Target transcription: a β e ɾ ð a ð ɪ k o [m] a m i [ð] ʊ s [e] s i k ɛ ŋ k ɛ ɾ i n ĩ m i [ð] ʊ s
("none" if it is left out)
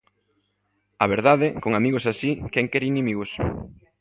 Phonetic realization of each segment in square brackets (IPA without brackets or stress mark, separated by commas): ŋ, ɣ, a, ɣ